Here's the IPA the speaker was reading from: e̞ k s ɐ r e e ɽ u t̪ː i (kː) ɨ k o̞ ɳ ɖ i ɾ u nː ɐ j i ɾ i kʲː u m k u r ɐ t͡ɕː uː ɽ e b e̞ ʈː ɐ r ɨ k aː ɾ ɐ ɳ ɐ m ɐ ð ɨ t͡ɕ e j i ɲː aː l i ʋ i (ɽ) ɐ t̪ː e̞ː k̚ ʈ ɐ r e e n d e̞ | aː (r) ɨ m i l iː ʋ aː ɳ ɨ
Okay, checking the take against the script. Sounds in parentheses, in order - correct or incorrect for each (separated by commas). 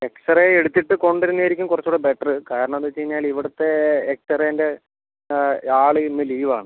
incorrect, correct, incorrect